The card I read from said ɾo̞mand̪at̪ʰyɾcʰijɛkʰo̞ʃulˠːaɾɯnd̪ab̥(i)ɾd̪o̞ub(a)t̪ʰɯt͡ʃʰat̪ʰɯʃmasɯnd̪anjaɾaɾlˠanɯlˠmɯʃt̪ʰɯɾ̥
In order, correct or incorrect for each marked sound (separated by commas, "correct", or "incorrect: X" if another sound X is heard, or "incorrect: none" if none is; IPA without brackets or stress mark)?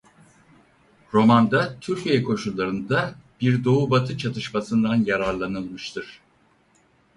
correct, correct